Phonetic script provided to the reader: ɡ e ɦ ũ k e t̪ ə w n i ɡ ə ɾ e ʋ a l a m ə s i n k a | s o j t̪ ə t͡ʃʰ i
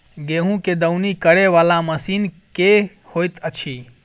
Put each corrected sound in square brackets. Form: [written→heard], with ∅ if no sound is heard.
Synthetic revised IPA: ɡ e ɦ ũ k e [t̪→d̪] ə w n i [ɡ→k] ə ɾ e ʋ a l a m ə s i n k [a→e] | [s→h] o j t̪ ə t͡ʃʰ i